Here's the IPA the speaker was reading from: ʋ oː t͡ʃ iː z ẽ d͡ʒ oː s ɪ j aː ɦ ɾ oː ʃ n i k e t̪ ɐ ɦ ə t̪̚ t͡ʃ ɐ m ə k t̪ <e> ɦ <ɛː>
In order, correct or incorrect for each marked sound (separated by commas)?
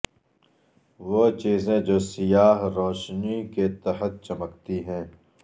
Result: incorrect, incorrect